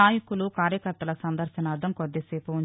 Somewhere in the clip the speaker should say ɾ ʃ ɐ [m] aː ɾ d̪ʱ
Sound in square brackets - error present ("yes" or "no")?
yes